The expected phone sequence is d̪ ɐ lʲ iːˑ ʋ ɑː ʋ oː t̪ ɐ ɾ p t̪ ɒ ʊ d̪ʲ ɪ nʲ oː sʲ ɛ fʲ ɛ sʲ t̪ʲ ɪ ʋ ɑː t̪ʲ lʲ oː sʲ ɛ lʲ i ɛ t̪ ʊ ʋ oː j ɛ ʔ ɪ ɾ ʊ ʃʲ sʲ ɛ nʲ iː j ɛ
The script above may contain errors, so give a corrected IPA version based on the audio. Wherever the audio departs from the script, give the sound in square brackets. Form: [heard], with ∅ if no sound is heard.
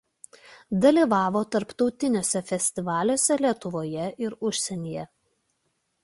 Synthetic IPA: d̪ ɐ lʲ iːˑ ʋ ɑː ʋ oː t̪ ɐ ɾ p t̪ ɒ ʊ [t̪ʲ] ɪ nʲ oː sʲ ɛ fʲ ɛ sʲ t̪ʲ ɪ ʋ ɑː [∅] lʲ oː sʲ ɛ lʲ i ɛ t̪ ʊ ʋ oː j ɛ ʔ ɪ ɾ ʊ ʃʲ sʲ ɛ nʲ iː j ɛ